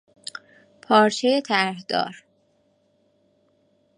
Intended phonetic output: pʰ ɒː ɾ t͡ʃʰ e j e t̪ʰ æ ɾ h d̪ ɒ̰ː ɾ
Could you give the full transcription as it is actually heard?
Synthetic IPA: pʰ ɒː ɾ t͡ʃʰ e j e t̪ʰ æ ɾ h d̪ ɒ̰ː ɾ